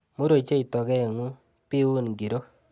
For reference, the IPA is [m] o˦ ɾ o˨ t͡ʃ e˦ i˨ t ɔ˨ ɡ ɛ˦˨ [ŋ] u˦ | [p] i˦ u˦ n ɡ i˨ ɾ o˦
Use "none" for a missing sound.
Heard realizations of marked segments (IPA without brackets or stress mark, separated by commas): m, ŋ, p